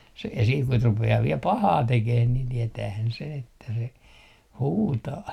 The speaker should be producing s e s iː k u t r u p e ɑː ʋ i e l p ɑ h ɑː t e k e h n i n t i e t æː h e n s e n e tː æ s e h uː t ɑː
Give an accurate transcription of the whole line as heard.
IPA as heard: s e s iː k u t r u p e ɑː ʋ i e l p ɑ h ɑː t e k e h n i n t i e t æː h æ n s e n e tː æ s e h uː t ɑː